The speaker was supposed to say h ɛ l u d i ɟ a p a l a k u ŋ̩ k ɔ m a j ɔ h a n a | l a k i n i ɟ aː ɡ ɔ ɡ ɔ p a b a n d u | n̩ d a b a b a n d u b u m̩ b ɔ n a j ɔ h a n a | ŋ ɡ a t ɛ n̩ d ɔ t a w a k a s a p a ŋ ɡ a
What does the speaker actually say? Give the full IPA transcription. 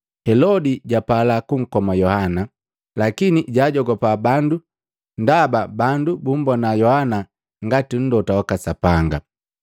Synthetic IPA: h ɛ l ɔ d i ɟ a p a l a k u ŋ̩ k ɔ m a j ɔ h a n a | l a k i n i ɟ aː ɟ ɔ ɡ ɔ p a b a n d u | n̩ d a b a b a n d u b u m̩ b ɔ n a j ɔ h a n a | ŋ ɡ a t i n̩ d ɔ t a w a k a s a p a ŋ ɡ a